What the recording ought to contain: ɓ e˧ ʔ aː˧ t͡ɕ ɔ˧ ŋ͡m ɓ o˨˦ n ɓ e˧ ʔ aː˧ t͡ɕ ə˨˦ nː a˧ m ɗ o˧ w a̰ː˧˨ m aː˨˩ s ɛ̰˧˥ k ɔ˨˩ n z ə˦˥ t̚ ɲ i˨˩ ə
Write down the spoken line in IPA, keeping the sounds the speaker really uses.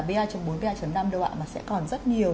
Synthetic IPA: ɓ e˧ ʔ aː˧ t͡ɕ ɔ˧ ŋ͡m ɓ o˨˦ n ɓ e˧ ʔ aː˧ t͡ɕ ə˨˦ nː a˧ m ɗ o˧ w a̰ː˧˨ m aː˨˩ s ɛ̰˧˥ k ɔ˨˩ n z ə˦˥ t̚ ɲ i˨˩ ə